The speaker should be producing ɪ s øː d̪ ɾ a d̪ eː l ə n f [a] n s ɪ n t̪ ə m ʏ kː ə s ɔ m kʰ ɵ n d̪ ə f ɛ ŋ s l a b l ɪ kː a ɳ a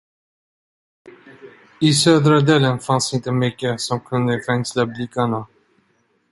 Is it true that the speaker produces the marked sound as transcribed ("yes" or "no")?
yes